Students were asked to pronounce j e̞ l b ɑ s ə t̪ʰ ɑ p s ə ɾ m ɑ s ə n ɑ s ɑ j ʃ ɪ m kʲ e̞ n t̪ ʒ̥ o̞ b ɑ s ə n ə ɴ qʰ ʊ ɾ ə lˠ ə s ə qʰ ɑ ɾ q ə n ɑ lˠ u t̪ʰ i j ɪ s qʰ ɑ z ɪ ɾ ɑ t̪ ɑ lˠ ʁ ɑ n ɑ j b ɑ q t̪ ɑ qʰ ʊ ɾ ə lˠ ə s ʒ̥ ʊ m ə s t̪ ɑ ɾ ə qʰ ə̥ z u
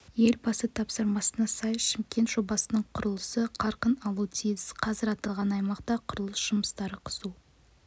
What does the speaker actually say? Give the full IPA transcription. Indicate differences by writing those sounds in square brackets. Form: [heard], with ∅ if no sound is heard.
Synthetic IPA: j e̞ l b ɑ s ə t̪ʰ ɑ p s ə ɾ m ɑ s ə n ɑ s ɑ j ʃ ɪ m kʲ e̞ n t̪ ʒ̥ o̞ b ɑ s ə n ə ɴ qʰ ʊ ɾ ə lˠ ə s ə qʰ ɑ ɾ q ə n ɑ lˠ u t̪ʰ i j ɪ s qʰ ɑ z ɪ ɾ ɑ t̪ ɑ lˠ ʁ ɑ n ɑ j [m] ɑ q t̪ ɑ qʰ ʊ ɾ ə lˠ ə s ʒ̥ ʊ m ə s t̪ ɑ ɾ ə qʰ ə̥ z u

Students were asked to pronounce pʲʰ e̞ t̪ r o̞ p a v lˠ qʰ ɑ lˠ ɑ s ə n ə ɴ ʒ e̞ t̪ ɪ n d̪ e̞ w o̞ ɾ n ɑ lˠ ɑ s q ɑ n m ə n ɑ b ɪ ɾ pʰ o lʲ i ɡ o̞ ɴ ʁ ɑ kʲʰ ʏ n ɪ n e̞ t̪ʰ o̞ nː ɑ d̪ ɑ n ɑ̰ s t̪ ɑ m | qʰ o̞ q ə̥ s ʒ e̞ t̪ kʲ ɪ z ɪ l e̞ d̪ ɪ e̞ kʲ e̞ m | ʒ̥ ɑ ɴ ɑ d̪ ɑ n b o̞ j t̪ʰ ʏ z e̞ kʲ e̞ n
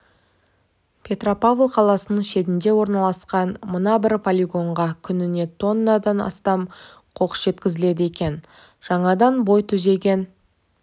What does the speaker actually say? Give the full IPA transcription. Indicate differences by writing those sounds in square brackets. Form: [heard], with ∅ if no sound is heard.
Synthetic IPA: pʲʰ e̞ t̪ r o̞ p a v lˠ qʰ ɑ lˠ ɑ s ə n ə ɴ [ʃ] e̞ t̪ ɪ n d̪ e̞ w o̞ ɾ n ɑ lˠ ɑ s q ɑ n m ə n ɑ b ɪ ɾ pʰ o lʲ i ɡ o̞ ɴ ʁ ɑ kʲʰ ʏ n ɪ n e̞ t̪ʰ o̞ nː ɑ d̪ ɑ n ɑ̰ s t̪ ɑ m | qʰ o̞ q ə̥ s ʒ e̞ t̪ kʲ ɪ z ɪ l e̞ d̪ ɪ e̞ kʲ e̞ [n] | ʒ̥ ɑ ɴ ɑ d̪ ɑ n b o̞ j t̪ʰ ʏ z e̞ [ɡʲ] e̞ n

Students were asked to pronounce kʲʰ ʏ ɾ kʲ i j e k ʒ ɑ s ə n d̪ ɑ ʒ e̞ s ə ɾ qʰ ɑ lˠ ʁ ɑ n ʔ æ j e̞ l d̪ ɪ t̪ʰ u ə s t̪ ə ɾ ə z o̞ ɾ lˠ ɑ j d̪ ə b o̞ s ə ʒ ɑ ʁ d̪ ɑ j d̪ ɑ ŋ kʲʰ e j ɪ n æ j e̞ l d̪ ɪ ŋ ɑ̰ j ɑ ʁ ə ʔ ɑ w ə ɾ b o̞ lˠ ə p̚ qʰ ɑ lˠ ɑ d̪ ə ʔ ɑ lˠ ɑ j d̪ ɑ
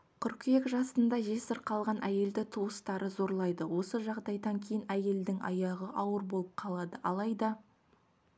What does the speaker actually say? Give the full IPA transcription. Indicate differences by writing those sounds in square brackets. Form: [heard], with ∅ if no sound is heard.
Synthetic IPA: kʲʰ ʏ ɾ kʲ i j e k ʒ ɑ s ə n d̪ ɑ ʒ e̞ s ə ɾ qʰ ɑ lˠ ʁ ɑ n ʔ æ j e̞ l d̪ ɪ t̪ʰ u ə s t̪ [ɑ] ɾ ə z o̞ ɾ lˠ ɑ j d̪ ə [w] o̞ s ə ʒ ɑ ʁ d̪ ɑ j d̪ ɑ ŋ kʲʰ e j ɪ n æ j e̞ l d̪ ɪ ŋ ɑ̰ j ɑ ʁ ə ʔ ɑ w ə ɾ b o̞ lˠ ə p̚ qʰ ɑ lˠ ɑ d̪ ə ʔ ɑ lˠ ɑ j d̪ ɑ

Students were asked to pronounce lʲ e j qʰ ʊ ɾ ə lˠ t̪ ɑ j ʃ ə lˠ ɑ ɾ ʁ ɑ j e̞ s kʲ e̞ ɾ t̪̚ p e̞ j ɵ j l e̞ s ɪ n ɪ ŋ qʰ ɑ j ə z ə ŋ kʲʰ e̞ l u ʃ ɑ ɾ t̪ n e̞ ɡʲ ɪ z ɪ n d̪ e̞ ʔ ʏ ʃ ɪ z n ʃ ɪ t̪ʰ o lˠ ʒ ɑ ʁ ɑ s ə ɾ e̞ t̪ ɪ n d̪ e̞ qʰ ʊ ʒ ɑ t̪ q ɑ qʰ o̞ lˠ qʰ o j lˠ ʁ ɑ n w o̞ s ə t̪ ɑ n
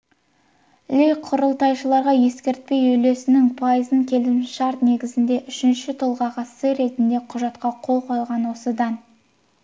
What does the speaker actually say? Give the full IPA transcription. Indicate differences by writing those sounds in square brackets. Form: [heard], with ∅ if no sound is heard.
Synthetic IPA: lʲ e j qʰ ʊ ɾ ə lˠ t̪ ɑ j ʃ ə lˠ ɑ ɾ ʁ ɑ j e̞ s kʲ e̞ ɾ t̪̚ p e̞ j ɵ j l e̞ s ɪ n ɪ ŋ [pʰ] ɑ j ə z ə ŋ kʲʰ e̞ l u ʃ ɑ ɾ t̪ n e̞ ɡʲ ɪ z ɪ n d̪ e̞ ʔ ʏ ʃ ɪ [∅] n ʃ ɪ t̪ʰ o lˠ [ʁ] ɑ ʁ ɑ s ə ɾ e̞ t̪ ɪ n d̪ e̞ qʰ ʊ ʒ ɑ t̪ q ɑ qʰ o̞ lˠ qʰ o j lˠ ʁ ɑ n w o̞ s ə [d̪] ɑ n

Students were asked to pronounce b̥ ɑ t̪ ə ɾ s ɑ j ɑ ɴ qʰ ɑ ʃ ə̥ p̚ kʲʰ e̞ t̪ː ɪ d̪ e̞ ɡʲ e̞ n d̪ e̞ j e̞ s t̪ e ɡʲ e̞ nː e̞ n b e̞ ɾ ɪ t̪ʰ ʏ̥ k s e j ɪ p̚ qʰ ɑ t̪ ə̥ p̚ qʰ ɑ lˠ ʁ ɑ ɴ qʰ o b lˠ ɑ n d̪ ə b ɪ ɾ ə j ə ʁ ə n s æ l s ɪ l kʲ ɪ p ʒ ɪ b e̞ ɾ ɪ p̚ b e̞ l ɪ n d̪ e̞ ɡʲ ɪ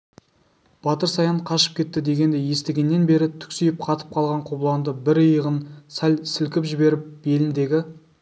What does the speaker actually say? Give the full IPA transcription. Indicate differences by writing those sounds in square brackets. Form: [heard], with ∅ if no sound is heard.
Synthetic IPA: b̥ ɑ t̪ ə ɾ s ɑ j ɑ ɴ qʰ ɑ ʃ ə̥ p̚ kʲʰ e̞ t̪ː ɪ d̪ e̞ ɡʲ e̞ n d̪ e̞ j e̞ s t̪ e ɡʲ e̞ nː e̞ n b e̞ ɾ ɪ t̪ʰ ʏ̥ k s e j ɪ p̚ qʰ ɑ t̪ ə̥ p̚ qʰ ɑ lˠ ʁ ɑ ɴ qʰ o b lˠ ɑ n d̪ ə b ɪ ɾ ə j ə ʁ ə n s æ l s ɪ l kʲ ɪ p ʒ ɪ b e̞ ɾ ɪ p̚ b e̞ l ɪ n d̪ e̞ ɡʲ ɪ

